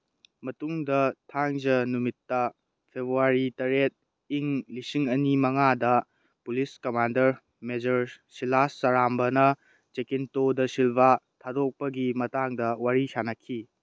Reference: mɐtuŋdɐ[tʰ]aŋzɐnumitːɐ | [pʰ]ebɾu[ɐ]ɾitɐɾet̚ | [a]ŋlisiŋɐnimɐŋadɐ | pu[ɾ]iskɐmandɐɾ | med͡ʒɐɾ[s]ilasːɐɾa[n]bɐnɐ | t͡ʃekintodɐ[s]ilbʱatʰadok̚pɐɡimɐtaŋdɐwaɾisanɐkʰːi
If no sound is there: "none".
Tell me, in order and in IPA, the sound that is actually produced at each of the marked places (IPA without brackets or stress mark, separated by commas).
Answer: tʰ, pʰ, a, i, l, s, m, s